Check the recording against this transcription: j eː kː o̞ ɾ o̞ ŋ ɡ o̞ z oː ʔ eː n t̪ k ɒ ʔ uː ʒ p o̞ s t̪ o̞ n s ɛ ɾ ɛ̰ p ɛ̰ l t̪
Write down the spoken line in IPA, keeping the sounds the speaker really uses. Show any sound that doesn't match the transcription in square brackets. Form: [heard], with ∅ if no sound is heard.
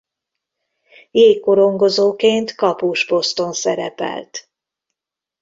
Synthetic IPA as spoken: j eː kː o̞ ɾ o̞ ŋ ɡ o̞ z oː [k] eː n t̪ k ɒ [p] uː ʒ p o̞ s t̪ o̞ n s ɛ ɾ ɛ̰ p ɛ̰ l t̪